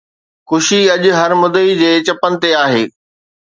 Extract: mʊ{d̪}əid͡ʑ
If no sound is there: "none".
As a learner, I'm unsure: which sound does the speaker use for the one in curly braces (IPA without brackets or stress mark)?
d̪